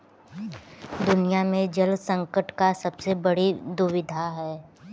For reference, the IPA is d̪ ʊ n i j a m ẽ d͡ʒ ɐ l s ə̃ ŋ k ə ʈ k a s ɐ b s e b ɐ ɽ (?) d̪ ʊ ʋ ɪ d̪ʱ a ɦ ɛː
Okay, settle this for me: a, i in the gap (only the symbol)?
i